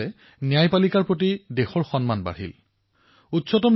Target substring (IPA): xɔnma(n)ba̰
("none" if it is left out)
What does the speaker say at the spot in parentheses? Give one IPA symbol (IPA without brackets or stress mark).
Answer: n